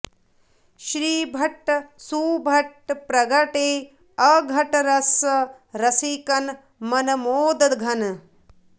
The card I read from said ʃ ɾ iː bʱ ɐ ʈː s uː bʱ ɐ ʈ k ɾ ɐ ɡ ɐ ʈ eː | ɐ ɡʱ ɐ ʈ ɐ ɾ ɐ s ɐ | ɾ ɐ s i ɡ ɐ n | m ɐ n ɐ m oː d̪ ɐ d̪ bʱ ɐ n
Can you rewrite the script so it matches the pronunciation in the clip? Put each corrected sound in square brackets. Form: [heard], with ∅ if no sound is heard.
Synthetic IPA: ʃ ɾ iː bʱ ɐ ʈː s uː bʱ ɐ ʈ [p] ɾ ɐ ɡ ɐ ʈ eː | ɐ ɡʱ ɐ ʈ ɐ ɾ ɐ s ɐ | ɾ ɐ s i [k] ɐ n | m ɐ n ɐ m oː d̪ ɐ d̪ [ɡʱ] ɐ n